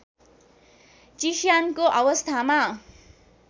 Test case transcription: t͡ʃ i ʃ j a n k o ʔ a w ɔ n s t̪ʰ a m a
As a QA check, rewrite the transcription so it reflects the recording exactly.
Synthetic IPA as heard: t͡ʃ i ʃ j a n k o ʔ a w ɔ s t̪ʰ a m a